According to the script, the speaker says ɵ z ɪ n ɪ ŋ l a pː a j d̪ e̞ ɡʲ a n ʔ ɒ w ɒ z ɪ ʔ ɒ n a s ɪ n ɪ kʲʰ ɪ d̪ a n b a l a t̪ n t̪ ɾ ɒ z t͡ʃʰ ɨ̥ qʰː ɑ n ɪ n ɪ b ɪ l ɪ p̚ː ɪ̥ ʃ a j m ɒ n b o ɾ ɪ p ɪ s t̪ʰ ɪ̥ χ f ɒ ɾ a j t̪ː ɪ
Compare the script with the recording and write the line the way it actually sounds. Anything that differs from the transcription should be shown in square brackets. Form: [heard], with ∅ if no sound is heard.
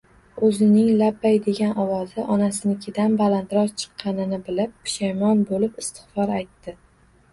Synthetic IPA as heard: ɵ z ɪ n ɪ ŋ l a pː a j d̪ e̞ ɡʲ a n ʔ ɒ w ɒ z ɪ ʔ ɒ n a s ɪ n ɪ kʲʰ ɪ d̪ a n b a l a [∅] n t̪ ɾ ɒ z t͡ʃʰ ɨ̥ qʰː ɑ n ɪ n ɪ b ɪ l ɪ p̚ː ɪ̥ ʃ a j m ɒ n b o [l] ɪ p ɪ s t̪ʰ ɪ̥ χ f ɒ ɾ a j t̪ː ɪ